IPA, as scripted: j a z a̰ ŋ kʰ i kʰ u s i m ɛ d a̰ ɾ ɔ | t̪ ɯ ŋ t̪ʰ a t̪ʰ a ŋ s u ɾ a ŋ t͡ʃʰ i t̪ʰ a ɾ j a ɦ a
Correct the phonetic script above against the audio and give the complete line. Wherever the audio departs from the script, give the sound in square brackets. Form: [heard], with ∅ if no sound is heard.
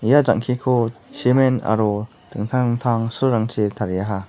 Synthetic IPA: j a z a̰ ŋ kʰ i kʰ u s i m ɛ [n] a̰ ɾ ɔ | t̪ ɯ ŋ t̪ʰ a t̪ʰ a ŋ s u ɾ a ŋ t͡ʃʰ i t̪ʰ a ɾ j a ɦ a